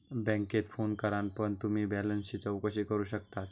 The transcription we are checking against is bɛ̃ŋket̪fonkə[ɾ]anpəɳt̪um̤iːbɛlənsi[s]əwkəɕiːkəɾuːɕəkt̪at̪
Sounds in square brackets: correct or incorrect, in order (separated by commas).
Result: correct, incorrect